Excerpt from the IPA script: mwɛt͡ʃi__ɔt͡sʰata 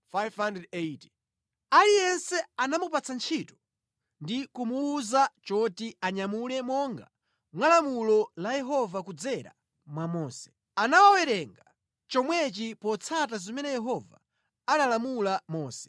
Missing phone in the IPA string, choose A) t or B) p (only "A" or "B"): B